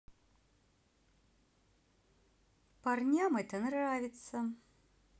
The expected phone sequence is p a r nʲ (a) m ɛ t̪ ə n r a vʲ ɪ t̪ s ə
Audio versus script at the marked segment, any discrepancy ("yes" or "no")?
no